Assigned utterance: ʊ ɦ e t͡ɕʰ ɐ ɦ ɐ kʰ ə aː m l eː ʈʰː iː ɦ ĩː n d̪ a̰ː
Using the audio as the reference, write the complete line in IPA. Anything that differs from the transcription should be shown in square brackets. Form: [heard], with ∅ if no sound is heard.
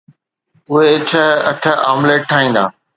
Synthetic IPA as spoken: ʊ ɦ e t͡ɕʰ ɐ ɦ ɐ [ʈʰ] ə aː m l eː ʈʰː [aː] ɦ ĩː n d̪ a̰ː